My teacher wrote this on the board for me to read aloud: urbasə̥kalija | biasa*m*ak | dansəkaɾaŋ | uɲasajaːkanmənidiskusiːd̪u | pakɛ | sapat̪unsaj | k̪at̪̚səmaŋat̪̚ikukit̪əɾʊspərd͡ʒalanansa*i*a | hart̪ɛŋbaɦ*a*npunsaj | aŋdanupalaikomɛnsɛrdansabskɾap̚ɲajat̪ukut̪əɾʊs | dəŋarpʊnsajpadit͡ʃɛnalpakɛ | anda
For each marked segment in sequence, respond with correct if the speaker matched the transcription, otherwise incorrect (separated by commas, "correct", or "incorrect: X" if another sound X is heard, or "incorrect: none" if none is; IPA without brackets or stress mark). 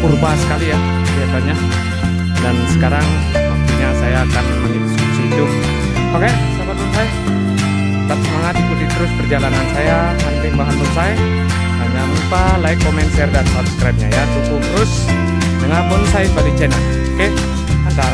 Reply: incorrect: ɲ, incorrect: j, correct